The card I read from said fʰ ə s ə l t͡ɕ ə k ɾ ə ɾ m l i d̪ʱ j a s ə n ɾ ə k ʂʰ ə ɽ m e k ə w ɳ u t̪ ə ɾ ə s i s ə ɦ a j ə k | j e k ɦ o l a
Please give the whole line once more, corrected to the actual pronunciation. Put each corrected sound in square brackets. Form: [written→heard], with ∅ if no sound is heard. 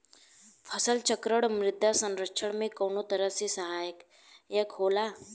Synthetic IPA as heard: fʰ ə s ə l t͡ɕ ə k ɾ ə [ɾ→ɽ] m [l→ɾ] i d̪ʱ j a s ə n ɾ ə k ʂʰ ə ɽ m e k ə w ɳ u t̪ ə ɾ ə s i s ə ɦ a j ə k | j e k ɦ o l a